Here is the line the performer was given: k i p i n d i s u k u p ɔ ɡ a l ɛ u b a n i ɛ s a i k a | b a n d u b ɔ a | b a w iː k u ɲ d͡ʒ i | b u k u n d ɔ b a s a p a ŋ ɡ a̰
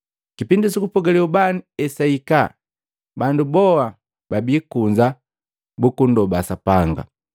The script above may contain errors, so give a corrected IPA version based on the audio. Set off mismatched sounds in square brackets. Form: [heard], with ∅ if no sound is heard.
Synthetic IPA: k i p i n d i s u k u p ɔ ɡ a l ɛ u b a n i ɛ s a i k a | b a n d u b ɔ a | b a [b] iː k u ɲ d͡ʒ [a] | b u k u n d ɔ b a s a p a ŋ ɡ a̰